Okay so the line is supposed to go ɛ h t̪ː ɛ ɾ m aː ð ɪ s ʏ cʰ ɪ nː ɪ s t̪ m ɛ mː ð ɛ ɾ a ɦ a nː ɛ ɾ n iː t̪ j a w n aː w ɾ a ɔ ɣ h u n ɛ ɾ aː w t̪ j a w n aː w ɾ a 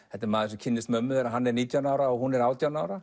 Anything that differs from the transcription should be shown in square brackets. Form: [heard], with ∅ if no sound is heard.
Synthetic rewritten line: ɛ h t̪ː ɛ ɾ m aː ð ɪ s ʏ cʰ ɪ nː ɪ s t̪ m [œ] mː ð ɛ ɾ a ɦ a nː ɛ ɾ n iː t̪ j a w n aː w ɾ a ɔ ɣ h u n ɛ ɾ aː w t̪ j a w n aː w ɾ a